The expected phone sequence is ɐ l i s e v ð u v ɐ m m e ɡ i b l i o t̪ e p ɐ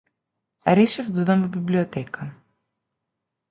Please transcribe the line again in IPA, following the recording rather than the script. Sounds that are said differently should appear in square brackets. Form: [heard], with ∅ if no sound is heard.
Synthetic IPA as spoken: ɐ [ɾ] i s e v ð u [ð] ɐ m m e [b] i b l i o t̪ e [k] ɐ